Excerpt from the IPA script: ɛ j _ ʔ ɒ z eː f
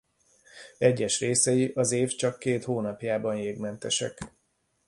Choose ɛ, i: i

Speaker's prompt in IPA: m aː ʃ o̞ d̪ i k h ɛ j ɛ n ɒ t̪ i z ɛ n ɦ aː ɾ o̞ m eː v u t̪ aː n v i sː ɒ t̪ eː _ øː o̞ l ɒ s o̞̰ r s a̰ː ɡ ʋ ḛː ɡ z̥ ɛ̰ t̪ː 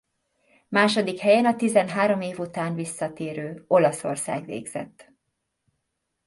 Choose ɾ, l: ɾ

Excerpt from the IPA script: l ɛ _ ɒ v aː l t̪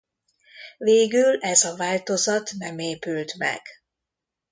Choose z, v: z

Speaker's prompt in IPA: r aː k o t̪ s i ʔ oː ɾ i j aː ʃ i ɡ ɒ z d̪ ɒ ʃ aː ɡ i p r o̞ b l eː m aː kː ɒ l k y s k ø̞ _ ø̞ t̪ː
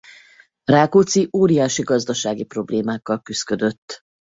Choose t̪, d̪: d̪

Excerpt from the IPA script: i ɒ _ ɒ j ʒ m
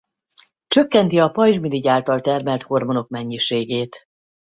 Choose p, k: p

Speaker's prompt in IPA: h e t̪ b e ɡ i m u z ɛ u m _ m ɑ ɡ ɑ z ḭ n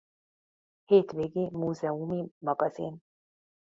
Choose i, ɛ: i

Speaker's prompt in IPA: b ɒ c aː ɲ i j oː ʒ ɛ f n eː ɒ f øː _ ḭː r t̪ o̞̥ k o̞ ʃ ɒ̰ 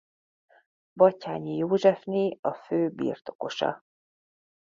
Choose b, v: b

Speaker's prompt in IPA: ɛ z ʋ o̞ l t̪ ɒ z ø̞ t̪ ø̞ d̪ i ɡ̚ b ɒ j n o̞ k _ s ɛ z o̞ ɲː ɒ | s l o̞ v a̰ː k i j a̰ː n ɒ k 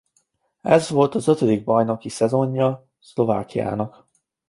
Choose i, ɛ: i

